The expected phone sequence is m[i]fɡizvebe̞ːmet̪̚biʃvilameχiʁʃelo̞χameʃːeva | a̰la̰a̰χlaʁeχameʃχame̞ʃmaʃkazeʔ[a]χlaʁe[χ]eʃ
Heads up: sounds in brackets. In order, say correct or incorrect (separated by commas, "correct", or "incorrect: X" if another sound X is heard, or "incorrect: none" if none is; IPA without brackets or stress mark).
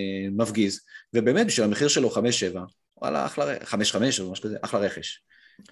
incorrect: a, correct, correct